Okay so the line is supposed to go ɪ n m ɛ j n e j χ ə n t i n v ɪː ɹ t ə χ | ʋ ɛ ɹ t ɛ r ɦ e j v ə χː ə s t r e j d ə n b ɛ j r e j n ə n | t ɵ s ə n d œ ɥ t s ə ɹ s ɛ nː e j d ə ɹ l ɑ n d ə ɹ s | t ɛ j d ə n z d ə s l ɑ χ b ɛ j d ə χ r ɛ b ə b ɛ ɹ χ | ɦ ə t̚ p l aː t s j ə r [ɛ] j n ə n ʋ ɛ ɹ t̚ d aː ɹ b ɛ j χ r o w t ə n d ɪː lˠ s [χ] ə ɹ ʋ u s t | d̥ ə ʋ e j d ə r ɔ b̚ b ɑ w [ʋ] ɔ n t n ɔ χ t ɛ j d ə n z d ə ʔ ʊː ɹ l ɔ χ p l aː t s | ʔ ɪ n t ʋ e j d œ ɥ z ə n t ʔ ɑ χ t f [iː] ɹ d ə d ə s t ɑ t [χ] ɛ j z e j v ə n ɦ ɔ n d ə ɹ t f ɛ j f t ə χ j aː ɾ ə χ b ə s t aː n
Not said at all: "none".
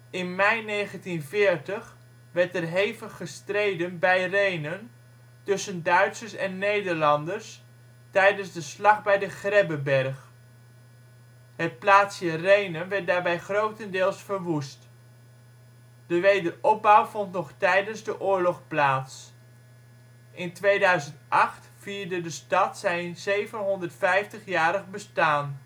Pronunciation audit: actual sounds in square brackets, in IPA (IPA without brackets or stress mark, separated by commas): e, f, v, iː, s